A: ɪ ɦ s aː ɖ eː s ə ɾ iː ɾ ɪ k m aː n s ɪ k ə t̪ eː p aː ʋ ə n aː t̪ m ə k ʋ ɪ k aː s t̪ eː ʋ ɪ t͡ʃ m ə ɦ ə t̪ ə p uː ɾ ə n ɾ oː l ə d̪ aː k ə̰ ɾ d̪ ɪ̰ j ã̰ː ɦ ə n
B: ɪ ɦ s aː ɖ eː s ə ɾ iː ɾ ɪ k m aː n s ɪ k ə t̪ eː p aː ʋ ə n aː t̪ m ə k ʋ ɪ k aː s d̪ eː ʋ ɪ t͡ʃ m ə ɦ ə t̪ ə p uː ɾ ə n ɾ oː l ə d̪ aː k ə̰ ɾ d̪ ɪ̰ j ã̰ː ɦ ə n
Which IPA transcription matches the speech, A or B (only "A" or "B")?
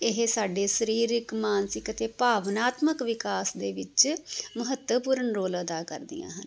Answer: B